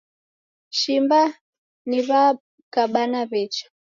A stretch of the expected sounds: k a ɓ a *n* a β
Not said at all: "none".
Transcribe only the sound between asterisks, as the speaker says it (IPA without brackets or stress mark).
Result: n